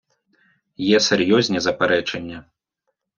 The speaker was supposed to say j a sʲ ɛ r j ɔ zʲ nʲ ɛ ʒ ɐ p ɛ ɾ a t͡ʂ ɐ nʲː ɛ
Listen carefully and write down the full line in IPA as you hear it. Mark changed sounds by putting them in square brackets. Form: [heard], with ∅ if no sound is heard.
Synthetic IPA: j [ɛ] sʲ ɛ r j ɔ zʲ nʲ ɛ [z] ɐ p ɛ ɾ [ɛ] t͡ʂ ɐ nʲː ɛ